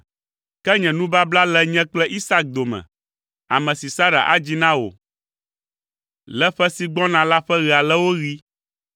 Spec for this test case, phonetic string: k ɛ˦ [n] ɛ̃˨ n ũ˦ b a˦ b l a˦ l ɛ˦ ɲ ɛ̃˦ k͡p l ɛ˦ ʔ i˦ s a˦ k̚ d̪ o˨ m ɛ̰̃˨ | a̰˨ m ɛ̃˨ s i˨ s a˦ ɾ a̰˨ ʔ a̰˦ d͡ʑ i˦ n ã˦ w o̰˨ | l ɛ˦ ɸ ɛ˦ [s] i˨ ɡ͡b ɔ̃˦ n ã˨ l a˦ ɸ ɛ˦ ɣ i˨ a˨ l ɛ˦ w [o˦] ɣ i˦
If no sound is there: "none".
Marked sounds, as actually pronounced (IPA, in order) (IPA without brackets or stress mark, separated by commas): ɲ, s, o˦